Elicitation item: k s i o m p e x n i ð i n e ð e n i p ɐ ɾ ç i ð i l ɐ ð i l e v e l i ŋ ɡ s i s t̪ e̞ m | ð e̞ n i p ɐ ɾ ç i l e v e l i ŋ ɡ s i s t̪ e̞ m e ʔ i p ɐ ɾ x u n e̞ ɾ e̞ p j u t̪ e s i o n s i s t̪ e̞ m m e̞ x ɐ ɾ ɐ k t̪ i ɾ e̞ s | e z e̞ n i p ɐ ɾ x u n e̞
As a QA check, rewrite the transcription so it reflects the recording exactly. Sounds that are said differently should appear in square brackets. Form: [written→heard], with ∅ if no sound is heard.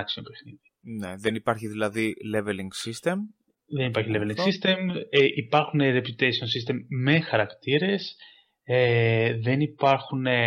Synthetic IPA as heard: k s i o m p e x n i ð i n e ð e n i p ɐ ɾ ç i ð i l ɐ ð i l e v e l i ŋ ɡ s i s t̪ e̞ m | ð e̞ n i p ɐ ɾ ç i l e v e l i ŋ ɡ s i s t̪ e̞ m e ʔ i p ɐ ɾ x u n e̞ ɾ e̞ p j u t̪ e s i o n s i s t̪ e̞ m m e̞ x ɐ ɾ ɐ k t̪ i ɾ e̞ s | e [z→ð] e̞ n i p ɐ ɾ x u n e̞